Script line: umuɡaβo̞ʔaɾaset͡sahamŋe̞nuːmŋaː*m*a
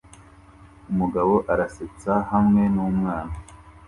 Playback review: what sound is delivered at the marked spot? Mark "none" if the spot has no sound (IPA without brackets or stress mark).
n